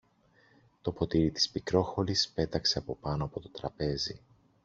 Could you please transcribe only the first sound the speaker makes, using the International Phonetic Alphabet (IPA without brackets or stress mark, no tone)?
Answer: t̪